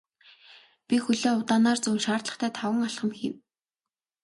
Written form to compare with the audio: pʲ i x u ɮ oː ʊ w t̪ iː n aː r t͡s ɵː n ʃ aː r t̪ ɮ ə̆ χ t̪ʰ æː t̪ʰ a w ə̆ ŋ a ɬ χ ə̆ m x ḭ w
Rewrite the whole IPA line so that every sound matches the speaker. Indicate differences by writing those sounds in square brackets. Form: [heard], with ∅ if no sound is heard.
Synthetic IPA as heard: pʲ i x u ɮ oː ʊ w t̪ [aː] n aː r t͡s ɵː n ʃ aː r t̪ ɮ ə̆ χ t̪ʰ æː t̪ʰ a w ə̆ ŋ a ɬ χ ə̆ m x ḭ w